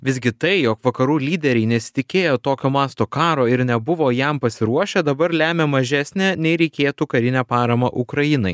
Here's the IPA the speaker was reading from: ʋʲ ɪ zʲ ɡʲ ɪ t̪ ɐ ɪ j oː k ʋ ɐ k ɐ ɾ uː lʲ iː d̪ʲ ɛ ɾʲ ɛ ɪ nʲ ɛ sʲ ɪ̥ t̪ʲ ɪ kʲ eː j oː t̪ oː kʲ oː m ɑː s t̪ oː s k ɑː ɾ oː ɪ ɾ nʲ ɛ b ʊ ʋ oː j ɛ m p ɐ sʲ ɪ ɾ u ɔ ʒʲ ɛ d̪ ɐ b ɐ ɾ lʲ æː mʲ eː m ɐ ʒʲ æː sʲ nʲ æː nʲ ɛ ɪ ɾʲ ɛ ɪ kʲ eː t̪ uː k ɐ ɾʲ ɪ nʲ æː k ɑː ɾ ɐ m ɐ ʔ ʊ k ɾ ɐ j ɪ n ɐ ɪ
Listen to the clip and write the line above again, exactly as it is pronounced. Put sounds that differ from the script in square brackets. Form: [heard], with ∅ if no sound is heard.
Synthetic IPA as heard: ʋʲ ɪ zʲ ɡʲ ɪ t̪ ɐ ɪ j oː k ʋ ɐ k ɐ ɾ uː lʲ iː d̪ʲ ɛ ɾʲ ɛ ɪ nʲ ɛ sʲ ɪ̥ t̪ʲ ɪ kʲ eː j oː t̪ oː kʲ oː m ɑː s t̪ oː [∅] k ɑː ɾ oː ɪ ɾ nʲ ɛ b ʊ ʋ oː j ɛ m p ɐ sʲ ɪ ɾ u ɔ [ʃʲ] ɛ d̪ ɐ b ɐ ɾ lʲ æː mʲ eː m ɐ ʒʲ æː sʲ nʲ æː nʲ ɛ ɪ ɾʲ ɛ ɪ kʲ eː t̪ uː k ɐ ɾʲ ɪ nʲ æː [p] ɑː ɾ ɐ m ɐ ʔ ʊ k ɾ ɐ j ɪ n ɐ ɪ